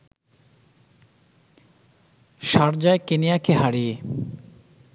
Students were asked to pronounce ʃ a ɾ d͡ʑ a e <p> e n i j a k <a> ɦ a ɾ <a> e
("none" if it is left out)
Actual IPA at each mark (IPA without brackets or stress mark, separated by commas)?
k, e, i